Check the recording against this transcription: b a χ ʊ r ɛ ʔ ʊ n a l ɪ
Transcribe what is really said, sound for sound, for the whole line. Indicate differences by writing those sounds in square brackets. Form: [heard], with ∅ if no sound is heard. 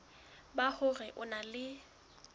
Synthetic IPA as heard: b a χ ʊ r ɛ ʔ ʊ n a l ɪ